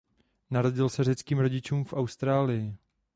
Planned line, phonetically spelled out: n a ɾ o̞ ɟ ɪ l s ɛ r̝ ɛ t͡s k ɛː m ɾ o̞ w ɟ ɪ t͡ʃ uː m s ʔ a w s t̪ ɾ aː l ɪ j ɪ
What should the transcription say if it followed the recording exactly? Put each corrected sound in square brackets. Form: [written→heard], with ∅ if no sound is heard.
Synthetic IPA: n a ɾ o̞ ɟ ɪ l s ɛ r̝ ɛ t͡s k [ɛː→iː] m ɾ o̞ [w→∅] ɟ ɪ t͡ʃ uː m [s→f] ʔ a w s t̪ ɾ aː l ɪ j ɪ